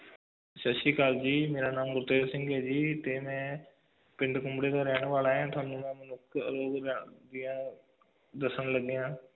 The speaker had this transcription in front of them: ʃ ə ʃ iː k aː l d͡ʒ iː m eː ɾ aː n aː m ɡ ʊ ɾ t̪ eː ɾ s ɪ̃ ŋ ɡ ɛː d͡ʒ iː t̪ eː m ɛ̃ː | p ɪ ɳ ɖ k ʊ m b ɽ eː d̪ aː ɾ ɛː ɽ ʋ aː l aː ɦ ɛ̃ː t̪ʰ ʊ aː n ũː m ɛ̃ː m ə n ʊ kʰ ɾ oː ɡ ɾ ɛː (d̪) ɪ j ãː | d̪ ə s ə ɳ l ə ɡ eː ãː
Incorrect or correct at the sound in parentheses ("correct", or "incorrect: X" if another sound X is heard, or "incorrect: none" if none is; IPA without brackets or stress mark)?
correct